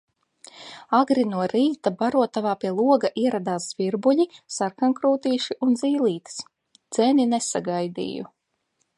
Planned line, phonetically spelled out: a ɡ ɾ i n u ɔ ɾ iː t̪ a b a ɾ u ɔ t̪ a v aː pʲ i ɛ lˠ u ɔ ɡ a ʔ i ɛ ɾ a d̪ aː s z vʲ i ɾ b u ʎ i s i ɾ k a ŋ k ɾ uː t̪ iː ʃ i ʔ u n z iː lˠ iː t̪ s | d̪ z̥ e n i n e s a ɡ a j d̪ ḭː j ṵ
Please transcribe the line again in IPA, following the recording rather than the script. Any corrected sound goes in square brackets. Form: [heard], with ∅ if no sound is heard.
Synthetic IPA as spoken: a ɡ ɾ i n u ɔ ɾ iː t̪ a b a ɾ u ɔ t̪ a v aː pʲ i ɛ lˠ u ɔ ɡ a ʔ i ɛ ɾ a d̪ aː s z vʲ i ɾ b u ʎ i s [a] ɾ k a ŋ k ɾ uː t̪ iː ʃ i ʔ u n z iː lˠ iː t̪ s | d̪ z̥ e n i n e s a ɡ a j d̪ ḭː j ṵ